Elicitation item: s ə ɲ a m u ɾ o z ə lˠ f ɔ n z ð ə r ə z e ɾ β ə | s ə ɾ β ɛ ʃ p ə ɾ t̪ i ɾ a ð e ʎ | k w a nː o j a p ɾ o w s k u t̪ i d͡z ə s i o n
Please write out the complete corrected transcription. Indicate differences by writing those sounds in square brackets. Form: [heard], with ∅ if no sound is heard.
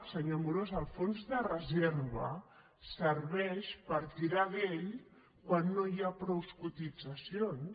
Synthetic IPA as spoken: s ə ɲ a m u ɾ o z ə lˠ f [o] n z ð ə r ə z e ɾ β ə | s ə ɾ β ɛ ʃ p ə ɾ t̪ i ɾ a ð e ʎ | k w a nː o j a p ɾ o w s k u t̪ i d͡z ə s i o n